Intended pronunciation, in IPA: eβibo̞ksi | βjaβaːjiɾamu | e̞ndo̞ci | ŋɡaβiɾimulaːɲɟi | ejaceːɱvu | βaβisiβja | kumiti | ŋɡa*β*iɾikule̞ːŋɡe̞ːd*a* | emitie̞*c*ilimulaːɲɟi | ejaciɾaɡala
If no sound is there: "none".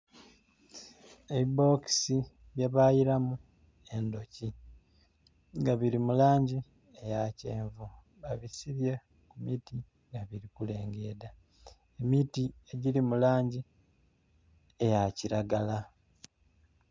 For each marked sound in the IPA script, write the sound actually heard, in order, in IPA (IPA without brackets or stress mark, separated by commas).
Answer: β, a, ɟ